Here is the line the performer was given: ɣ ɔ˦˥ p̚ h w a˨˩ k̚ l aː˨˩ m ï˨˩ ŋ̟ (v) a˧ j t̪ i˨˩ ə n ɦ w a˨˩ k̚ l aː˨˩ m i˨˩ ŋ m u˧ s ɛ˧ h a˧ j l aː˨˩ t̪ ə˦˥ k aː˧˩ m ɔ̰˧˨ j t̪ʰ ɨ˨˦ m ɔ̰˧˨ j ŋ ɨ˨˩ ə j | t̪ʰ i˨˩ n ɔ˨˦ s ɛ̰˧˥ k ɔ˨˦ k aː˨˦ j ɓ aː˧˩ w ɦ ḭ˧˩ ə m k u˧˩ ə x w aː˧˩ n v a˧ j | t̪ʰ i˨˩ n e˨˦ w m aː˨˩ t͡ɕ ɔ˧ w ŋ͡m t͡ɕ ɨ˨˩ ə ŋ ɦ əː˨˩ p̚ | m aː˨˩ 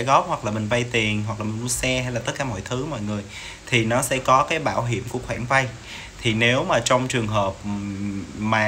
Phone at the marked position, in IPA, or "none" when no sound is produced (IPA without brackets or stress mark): v